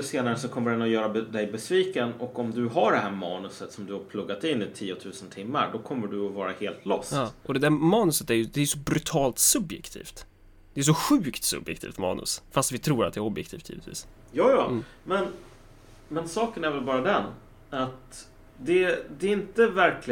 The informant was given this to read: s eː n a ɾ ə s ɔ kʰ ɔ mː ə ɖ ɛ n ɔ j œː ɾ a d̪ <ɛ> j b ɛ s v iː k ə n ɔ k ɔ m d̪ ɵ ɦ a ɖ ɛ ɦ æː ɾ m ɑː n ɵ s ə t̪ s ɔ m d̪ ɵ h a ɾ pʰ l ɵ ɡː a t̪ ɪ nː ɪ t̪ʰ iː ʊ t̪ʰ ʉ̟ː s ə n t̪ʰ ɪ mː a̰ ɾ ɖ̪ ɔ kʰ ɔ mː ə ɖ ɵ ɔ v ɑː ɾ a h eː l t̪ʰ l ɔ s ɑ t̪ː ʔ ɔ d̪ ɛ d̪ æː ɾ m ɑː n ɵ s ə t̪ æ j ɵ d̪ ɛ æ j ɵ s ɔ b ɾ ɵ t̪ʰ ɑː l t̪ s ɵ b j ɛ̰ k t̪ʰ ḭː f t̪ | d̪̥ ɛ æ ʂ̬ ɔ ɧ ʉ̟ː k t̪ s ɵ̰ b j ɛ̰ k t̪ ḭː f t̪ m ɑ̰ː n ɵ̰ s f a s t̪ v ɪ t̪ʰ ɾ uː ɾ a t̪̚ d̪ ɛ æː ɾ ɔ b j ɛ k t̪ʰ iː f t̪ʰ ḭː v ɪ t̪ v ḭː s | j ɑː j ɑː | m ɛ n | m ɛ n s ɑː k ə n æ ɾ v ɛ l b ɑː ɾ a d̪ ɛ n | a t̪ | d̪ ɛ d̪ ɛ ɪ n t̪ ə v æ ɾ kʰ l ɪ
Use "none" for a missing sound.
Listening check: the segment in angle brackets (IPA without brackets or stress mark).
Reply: ɛ